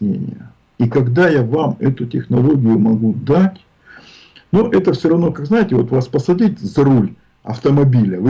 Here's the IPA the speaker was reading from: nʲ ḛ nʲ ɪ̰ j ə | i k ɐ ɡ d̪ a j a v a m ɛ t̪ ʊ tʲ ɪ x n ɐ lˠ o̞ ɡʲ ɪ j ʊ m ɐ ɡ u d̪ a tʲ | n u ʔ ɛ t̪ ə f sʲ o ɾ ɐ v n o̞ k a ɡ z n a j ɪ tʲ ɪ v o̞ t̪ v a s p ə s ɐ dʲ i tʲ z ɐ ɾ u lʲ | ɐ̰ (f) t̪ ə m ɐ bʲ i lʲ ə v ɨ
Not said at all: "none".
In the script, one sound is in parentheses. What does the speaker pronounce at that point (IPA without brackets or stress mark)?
f